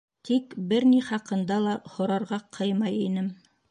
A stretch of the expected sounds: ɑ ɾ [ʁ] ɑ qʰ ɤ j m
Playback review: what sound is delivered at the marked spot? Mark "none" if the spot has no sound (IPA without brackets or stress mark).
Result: ʁ